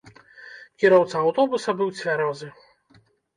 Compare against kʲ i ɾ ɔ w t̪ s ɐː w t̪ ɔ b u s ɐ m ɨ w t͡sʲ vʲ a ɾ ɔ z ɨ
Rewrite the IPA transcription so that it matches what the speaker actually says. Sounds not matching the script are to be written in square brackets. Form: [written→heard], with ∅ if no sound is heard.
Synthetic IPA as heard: kʲ i ɾ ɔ w t̪ s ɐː w t̪ ɔ b u s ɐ [m→b] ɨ w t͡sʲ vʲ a ɾ ɔ z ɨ